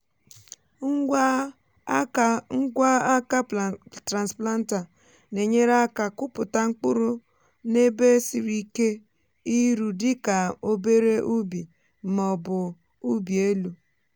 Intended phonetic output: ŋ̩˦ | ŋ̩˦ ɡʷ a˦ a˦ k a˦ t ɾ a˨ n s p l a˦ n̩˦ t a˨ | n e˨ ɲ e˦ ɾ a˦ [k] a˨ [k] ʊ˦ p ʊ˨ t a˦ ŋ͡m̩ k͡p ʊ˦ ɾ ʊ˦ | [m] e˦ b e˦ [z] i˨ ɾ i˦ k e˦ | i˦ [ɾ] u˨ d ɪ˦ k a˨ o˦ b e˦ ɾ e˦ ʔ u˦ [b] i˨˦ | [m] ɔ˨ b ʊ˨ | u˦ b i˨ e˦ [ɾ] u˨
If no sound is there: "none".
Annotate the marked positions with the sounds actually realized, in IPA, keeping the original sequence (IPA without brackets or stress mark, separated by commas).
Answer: k, k, n, s, ɾ, b, m, l